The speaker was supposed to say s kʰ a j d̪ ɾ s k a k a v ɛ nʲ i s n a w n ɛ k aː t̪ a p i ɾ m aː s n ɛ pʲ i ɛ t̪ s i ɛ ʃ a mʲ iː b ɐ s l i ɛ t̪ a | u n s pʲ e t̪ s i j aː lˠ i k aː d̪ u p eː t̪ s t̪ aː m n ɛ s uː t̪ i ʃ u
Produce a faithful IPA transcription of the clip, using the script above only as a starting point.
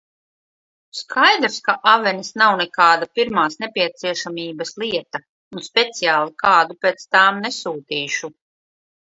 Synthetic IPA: s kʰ a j d̪ ɾ s k a ʔ a v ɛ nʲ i s n a w n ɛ k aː d̪ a p i ɾ m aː s n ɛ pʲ i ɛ t̪ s i ɛ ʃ a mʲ iː b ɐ s l i ɛ t̪ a | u n s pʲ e t̪ s i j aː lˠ i k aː d̪ u p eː t̪ s t̪ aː m n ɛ s uː t̪ iː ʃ u